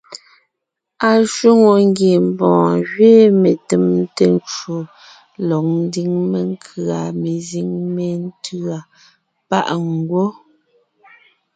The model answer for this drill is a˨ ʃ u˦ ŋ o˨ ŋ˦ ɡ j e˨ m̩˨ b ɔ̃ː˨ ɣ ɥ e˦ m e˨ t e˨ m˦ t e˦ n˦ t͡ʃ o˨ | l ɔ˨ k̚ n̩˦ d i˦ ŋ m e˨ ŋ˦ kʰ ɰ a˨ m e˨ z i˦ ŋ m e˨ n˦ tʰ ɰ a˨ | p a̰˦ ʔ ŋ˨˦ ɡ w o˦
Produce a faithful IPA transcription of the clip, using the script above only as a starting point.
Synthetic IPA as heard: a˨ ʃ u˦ ŋ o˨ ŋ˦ ɡ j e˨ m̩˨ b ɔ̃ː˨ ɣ ɥ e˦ m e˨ t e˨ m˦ t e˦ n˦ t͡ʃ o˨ | l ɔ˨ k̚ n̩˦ d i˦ ŋ m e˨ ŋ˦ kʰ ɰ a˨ m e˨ z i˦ ŋ m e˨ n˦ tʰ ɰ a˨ | p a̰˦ ʔ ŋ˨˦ ɡ w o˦